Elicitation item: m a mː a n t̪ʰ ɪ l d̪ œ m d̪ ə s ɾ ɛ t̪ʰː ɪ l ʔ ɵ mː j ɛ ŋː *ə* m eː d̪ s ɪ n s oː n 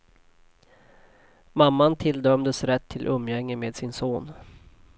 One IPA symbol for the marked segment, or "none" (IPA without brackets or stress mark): ə